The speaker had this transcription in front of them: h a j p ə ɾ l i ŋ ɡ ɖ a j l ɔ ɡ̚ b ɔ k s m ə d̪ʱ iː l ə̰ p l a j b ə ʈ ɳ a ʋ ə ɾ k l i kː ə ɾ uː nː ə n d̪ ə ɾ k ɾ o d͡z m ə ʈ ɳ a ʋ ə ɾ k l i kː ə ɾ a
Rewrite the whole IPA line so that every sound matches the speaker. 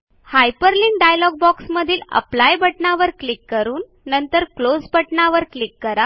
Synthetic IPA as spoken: h a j p ə ɾ l i ŋ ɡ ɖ a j l ɔ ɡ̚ b ɔ k s m ə d̪ʱ iː l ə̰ p l a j b ə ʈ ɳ a ʋ ə ɾ k l i kː ə ɾ uː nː ə n t̪ ə ɾ k l o d͡z b ə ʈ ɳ a ʋ ə ɾ k l i kː ə ɾ a